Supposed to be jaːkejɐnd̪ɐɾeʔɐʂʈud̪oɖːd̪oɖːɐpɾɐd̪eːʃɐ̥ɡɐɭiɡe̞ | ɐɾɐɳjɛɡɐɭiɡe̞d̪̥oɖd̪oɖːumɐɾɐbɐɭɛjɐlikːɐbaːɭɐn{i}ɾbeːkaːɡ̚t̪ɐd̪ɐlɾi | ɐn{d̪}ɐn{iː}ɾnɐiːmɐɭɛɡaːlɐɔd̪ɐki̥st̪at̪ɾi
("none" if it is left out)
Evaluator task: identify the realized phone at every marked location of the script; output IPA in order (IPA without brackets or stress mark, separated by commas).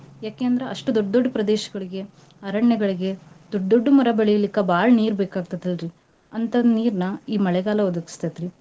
iː, t̪, iː